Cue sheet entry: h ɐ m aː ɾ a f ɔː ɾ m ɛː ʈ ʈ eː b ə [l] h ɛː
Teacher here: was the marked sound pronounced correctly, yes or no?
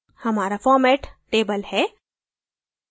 yes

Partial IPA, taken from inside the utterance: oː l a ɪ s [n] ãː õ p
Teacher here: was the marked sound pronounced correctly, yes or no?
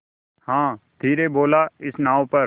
yes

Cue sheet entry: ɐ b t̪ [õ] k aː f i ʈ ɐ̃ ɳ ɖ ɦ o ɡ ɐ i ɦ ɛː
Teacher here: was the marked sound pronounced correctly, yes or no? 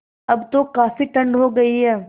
no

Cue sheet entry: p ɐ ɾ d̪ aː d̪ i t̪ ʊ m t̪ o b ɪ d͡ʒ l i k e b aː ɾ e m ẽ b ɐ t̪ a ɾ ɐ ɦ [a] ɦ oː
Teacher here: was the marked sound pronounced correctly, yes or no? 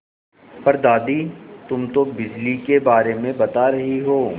no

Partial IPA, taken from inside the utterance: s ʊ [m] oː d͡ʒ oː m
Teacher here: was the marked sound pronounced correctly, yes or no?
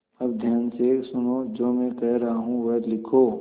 no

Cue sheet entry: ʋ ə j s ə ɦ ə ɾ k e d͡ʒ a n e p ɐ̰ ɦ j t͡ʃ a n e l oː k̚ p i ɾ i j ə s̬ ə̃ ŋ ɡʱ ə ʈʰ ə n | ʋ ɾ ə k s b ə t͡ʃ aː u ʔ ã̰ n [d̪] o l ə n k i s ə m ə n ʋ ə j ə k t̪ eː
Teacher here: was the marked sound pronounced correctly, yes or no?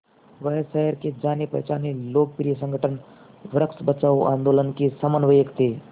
yes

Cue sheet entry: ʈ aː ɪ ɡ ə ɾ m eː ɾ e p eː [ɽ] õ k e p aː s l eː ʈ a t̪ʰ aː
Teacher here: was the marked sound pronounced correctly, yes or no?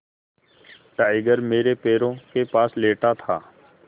no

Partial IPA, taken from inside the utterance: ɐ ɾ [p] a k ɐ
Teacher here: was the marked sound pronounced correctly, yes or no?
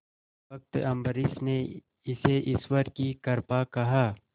yes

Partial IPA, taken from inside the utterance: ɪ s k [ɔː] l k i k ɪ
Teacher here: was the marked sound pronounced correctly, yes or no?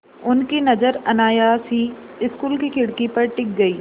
no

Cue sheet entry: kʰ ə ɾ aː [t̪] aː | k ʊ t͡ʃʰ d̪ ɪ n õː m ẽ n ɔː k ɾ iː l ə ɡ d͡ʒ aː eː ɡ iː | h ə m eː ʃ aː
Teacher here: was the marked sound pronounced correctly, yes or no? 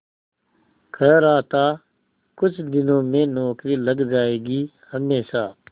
yes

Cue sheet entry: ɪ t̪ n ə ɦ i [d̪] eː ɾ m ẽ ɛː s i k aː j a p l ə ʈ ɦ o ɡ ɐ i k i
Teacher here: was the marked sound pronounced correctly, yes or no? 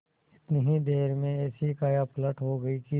yes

